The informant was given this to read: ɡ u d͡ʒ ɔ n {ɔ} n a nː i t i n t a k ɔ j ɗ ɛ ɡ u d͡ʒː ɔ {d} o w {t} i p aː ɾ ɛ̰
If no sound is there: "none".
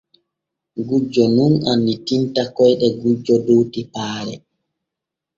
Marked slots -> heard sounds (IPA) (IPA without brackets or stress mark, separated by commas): u, d, t